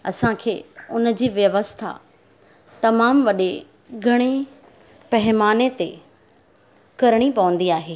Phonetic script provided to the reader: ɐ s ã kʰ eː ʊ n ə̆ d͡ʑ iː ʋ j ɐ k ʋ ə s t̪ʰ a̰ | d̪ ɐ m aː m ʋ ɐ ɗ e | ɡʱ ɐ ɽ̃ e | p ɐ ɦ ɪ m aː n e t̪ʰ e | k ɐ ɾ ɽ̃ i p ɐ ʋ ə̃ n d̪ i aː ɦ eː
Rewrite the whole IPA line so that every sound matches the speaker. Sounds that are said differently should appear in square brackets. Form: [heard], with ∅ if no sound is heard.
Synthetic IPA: ɐ s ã kʰ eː ʊ n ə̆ d͡ʑ iː ʋ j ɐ [∅] ʋ ə s t̪ʰ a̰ | [t̪] ɐ m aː m ʋ ɐ ɗ e | ɡʱ ɐ ɽ̃ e | p ɐ ɦ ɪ m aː n e [t̪] e | k ɐ ɾ ɽ̃ i p ɐ ʋ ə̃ n d̪ i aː ɦ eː